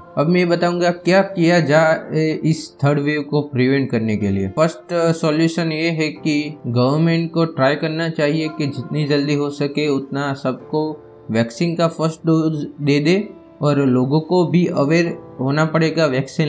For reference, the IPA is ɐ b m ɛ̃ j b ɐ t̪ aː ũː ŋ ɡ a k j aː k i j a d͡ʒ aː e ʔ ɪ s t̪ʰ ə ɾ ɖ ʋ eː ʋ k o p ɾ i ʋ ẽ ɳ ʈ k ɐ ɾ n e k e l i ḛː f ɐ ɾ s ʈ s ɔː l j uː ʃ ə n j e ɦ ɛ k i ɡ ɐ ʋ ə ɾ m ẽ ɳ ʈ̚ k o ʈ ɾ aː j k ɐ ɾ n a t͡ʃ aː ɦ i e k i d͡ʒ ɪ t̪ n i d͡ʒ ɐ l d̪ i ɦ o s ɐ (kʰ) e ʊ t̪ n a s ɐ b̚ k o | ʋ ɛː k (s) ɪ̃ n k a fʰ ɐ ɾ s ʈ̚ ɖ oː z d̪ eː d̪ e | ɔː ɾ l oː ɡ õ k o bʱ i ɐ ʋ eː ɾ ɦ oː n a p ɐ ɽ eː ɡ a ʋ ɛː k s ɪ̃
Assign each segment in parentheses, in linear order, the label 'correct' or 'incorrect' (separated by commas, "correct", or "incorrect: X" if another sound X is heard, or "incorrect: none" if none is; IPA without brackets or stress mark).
incorrect: k, correct